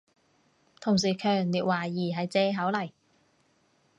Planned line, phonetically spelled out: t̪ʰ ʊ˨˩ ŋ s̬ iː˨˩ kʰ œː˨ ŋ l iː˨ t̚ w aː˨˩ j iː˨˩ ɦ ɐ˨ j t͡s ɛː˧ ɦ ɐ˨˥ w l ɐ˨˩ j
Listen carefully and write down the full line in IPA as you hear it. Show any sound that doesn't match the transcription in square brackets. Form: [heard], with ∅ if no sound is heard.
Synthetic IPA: t̪ʰ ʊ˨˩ ŋ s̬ iː˨˩ kʰ œː˨ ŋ l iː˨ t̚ w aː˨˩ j iː˨˩ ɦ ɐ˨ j t͡s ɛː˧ ɦ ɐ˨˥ w l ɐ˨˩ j